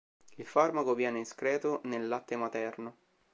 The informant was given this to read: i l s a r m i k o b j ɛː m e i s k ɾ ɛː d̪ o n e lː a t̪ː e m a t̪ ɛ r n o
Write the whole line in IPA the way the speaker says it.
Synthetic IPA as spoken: i l f a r m a k o v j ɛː n e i s k ɾ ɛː t̪ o n e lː a t̪ː e m a t̪ ɛ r n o